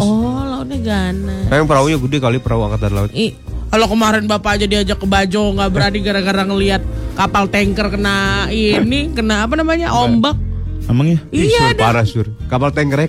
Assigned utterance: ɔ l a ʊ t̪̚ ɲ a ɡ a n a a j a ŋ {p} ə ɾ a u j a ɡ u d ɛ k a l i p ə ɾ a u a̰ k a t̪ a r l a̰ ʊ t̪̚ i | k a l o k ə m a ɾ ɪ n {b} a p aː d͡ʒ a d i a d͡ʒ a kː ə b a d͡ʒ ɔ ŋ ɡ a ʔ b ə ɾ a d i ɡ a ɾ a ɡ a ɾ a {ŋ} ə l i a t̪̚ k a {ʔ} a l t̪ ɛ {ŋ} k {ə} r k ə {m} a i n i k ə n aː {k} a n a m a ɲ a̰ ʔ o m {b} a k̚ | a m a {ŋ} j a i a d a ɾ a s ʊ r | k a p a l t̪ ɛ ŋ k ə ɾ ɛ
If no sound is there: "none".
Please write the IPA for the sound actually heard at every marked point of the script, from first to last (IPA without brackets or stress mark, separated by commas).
p, b, ŋ, p, ŋ, ə, n, p, b, ŋ